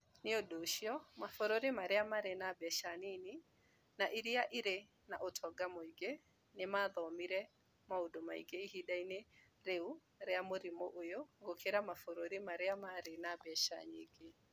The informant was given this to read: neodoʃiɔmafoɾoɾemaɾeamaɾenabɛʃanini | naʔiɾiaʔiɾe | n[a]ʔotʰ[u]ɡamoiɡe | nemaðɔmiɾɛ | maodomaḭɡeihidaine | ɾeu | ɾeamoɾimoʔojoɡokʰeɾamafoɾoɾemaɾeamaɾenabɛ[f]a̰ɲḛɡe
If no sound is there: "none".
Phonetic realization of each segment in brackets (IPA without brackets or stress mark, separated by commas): a, ɔ, ʃ